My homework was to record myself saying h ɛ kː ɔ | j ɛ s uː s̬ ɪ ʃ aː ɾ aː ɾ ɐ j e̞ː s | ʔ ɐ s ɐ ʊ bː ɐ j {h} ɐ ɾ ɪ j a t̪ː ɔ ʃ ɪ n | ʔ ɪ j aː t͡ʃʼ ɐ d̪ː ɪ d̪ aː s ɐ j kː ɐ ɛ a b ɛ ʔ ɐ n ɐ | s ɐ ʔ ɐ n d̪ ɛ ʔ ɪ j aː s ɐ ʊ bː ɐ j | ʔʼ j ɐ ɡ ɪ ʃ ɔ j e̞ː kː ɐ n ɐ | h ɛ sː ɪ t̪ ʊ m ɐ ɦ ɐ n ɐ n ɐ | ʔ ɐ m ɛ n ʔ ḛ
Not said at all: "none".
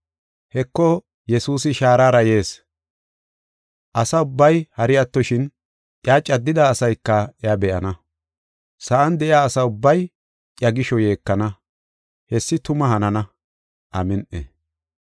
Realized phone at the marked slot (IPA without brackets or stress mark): h